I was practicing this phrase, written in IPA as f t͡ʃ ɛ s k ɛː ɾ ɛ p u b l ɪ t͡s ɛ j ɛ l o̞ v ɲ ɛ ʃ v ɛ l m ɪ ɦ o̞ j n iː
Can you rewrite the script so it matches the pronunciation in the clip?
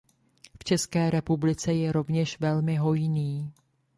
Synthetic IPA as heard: f t͡ʃ ɛ s k ɛː ɾ ɛ p u b l ɪ t͡s ɛ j ɛ ɾ o̞ v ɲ ɛ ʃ v ɛ l m ɪ ɦ o̞ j n iː